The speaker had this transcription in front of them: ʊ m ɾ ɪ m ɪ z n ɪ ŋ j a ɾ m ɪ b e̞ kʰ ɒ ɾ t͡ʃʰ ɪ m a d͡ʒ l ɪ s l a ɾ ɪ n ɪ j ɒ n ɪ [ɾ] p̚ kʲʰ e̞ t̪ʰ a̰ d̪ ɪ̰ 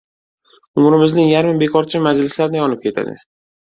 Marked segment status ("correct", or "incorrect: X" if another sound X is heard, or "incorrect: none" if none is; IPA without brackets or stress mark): incorrect: none